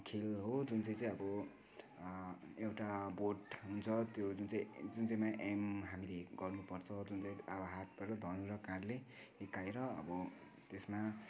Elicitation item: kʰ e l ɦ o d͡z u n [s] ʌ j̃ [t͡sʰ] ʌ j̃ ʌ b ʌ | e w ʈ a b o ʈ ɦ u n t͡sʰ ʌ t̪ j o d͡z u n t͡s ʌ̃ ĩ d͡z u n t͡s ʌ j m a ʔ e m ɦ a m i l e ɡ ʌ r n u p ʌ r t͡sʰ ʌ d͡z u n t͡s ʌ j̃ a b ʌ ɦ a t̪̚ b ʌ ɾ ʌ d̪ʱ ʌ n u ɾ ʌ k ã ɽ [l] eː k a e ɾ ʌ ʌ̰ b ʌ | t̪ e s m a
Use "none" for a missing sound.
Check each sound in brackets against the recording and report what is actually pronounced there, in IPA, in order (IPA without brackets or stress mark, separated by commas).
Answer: t͡s, t͡s, l